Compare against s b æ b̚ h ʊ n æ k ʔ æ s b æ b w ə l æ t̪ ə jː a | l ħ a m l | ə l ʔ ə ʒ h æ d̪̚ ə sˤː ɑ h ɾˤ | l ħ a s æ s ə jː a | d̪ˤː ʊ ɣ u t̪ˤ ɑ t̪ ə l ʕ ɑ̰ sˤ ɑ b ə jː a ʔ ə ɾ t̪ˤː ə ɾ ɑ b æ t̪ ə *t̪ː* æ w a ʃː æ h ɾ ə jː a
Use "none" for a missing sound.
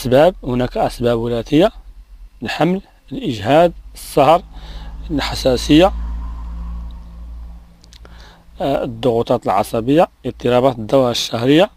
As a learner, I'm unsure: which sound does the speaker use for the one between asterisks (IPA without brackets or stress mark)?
d̪ː